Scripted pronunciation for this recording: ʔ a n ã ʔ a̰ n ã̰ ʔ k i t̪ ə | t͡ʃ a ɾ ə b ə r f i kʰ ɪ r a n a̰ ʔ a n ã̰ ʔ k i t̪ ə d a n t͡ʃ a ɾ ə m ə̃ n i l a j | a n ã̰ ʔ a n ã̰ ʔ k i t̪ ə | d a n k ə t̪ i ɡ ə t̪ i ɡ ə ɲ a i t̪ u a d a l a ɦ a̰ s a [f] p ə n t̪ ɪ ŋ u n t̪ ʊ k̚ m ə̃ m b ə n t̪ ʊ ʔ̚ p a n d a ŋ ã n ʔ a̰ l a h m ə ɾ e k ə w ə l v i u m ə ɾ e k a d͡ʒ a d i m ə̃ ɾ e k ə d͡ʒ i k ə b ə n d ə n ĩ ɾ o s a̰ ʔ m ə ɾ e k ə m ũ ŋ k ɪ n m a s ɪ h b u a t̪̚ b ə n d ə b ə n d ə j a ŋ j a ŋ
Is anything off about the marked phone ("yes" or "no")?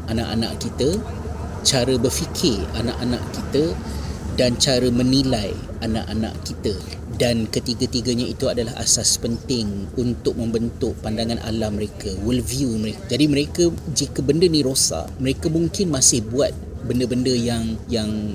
yes